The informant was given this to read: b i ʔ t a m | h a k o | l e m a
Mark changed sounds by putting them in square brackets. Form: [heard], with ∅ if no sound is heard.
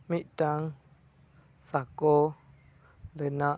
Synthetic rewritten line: [m] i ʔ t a [ŋ] | [s] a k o | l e [n] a